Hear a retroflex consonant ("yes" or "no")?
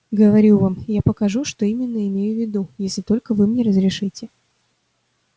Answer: yes